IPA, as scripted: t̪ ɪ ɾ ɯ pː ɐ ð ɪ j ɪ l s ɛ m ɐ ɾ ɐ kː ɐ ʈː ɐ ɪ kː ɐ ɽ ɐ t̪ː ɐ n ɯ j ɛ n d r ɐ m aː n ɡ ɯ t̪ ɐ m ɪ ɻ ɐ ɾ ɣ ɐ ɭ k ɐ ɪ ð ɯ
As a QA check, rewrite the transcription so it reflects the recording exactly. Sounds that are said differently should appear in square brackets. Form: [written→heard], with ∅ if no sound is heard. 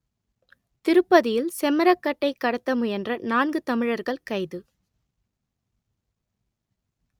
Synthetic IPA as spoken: t̪ ɪ ɾ ɯ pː ɐ ð ɪ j ɪ l s ɛ m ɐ ɾ ɐ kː ɐ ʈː ɐ ɪ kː ɐ ɽ ɐ t̪ː ɐ [n→m] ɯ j ɛ n d r ɐ [m→n] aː n ɡ ɯ t̪ ɐ m ɪ ɻ ɐ ɾ ɣ ɐ ɭ k ɐ ɪ ð ɯ

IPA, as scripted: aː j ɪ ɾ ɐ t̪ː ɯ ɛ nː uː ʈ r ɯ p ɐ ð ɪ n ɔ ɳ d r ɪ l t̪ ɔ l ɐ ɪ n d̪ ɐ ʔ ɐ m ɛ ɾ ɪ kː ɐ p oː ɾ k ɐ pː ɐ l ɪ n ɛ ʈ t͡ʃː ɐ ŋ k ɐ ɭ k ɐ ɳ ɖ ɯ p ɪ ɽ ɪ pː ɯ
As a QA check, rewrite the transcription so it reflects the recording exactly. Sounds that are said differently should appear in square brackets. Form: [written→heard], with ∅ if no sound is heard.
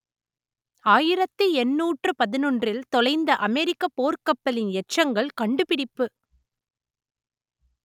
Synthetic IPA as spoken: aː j ɪ ɾ ɐ t̪ː ɯ ɛ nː uː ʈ r ɯ p ɐ ð ɪ n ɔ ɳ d r ɪ l t̪ ɔ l ɐ ɪ n d̪ ɐ ʔ ɐ m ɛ ɾ ɪ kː ɐ p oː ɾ k ɐ pː ɐ l ɪ n ɛ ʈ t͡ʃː ɐ ŋ [k→ɡ] ɐ ɭ k ɐ ɳ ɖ ɯ p ɪ ɽ ɪ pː ɯ

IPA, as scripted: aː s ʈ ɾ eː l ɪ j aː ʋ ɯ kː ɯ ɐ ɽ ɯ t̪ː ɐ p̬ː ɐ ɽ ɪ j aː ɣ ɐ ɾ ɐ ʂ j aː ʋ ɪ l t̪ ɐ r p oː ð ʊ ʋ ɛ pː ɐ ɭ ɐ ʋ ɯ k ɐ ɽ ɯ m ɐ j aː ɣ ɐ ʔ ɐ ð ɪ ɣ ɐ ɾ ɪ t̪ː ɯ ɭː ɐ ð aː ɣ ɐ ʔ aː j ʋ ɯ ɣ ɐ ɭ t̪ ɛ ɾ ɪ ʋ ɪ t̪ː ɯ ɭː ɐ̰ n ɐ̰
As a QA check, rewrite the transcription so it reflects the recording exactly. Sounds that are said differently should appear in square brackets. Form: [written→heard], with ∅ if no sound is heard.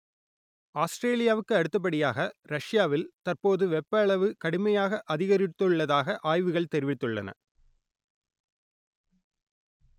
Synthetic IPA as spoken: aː s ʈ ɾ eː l ɪ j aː ʋ ɯ kː ɯ ɐ ɽ ɯ t̪ː ɐ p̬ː ɐ ɽ ɪ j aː ɣ ɐ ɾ ɐ ʂ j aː ʋ ɪ l t̪ ɐ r p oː ð [ʊ→ɯ] ʋ ɛ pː ɐ ɭ ɐ ʋ ɯ k ɐ ɽ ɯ m ɐ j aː ɣ ɐ ʔ ɐ ð ɪ ɣ ɐ ɾ ɪ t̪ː ɯ ɭː ɐ ð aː ɣ ɐ ʔ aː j ʋ ɯ ɣ ɐ ɭ t̪ ɛ ɾ ɪ ʋ ɪ t̪ː ɯ ɭː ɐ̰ n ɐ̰

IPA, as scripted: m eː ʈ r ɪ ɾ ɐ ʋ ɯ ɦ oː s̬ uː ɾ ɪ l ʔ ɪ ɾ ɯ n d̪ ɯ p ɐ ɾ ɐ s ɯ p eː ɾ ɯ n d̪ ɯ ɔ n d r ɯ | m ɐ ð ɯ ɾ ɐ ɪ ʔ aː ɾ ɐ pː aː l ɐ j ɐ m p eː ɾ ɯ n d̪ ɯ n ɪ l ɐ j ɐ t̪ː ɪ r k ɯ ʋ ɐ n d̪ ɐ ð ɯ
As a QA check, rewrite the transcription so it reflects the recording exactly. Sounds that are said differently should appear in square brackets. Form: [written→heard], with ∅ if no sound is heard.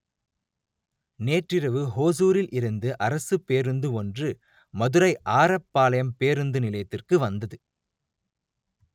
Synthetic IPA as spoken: [m→n] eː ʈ r ɪ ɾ ɐ ʋ ɯ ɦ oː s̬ uː ɾ ɪ l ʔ ɪ ɾ ɯ n d̪ ɯ [p→ʔ] ɐ ɾ ɐ s ɯ p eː ɾ ɯ n d̪ ɯ ɔ n d r ɯ | m ɐ ð ɯ ɾ ɐ ɪ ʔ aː ɾ ɐ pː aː l ɐ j ɐ m p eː ɾ ɯ n d̪ ɯ n ɪ l ɐ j ɐ t̪ː ɪ r k ɯ ʋ ɐ n d̪ ɐ ð ɯ

